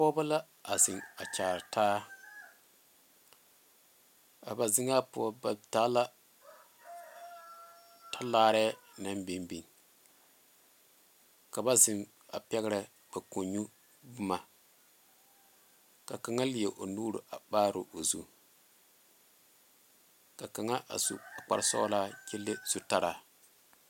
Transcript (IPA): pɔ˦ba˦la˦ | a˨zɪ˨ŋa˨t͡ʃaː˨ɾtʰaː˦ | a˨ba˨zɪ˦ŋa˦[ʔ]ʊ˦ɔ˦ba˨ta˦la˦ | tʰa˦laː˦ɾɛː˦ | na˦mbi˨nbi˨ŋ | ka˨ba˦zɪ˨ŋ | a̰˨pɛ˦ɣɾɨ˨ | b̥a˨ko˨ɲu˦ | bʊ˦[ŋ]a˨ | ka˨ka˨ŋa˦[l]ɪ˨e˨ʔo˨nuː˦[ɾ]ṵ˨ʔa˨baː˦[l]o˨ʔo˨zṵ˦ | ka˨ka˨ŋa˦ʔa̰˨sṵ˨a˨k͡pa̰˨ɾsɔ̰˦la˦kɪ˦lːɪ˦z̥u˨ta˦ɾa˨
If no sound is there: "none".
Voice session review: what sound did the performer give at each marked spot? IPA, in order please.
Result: p, m, l, ɾ, ɾ

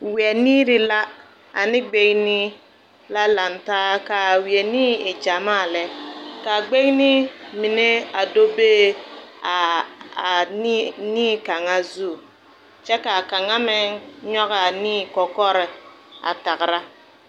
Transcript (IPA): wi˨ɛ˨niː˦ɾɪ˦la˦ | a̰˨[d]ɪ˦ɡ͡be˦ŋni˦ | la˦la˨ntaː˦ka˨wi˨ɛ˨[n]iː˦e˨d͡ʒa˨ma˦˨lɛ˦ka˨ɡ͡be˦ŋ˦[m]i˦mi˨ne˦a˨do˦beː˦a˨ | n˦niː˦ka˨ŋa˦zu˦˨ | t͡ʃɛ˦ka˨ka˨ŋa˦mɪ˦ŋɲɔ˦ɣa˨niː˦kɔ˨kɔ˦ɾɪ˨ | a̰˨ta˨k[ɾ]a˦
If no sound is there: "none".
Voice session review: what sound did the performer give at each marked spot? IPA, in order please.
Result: n, n, n, ɾ

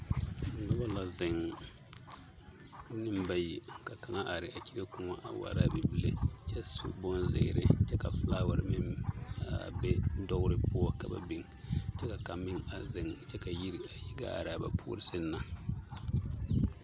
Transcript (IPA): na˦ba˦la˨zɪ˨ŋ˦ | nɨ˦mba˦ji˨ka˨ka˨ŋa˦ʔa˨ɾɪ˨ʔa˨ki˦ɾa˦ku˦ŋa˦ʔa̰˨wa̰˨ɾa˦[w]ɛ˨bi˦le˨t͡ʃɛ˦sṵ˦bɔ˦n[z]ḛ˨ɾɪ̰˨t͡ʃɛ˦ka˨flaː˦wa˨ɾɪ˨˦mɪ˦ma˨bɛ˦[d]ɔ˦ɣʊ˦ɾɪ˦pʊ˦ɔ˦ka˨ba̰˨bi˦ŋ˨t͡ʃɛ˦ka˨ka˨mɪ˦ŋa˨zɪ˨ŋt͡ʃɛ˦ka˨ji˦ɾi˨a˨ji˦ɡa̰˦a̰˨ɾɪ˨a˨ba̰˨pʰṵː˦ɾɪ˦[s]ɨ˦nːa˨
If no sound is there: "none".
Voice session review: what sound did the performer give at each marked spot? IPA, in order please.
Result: b, z, d, s

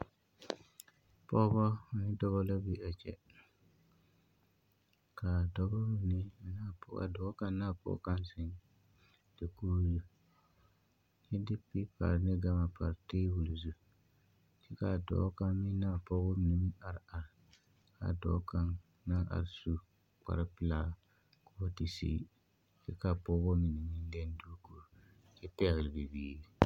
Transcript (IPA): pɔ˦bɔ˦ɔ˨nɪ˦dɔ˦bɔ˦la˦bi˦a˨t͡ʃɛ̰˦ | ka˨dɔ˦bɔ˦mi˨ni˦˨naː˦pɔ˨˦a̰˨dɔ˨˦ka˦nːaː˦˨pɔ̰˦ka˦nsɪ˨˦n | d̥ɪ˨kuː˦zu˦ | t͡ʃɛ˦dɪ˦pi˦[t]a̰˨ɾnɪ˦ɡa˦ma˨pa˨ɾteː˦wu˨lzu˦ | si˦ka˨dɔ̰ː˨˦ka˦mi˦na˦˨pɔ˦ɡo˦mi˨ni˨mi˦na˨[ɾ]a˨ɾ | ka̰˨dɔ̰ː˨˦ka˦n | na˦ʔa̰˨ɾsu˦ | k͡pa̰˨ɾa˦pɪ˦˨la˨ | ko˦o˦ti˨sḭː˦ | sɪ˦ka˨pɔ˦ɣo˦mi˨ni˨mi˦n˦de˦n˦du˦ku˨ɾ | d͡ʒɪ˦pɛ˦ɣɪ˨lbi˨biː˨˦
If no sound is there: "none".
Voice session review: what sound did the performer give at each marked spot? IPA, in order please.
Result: p, ɾ

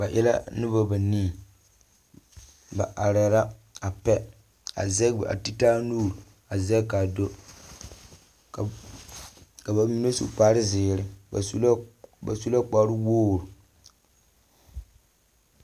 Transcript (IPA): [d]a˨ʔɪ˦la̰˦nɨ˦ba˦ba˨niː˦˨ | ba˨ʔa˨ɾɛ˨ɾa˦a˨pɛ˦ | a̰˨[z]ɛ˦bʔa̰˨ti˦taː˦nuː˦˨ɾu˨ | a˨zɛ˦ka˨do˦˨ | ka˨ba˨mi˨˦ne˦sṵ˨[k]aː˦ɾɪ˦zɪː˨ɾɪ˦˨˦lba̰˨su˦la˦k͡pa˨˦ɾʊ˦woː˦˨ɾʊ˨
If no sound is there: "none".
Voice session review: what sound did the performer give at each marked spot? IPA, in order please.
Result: b, z, k͡p

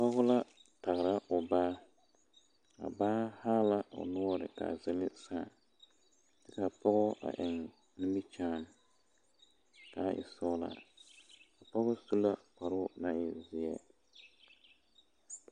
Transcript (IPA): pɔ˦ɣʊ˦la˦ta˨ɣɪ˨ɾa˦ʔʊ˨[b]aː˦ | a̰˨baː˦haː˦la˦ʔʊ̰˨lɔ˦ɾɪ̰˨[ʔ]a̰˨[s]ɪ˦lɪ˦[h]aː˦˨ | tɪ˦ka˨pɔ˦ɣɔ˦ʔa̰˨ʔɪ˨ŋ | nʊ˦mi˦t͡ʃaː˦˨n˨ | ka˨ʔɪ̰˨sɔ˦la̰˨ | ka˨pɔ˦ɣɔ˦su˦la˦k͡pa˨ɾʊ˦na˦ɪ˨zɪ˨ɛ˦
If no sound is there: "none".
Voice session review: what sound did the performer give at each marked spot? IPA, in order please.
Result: b, k, z, s

